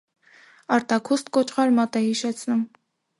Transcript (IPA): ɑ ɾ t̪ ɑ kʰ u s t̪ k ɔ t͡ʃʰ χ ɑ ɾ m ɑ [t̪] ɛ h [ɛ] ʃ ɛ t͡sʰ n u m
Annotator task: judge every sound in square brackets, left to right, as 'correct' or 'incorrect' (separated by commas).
correct, incorrect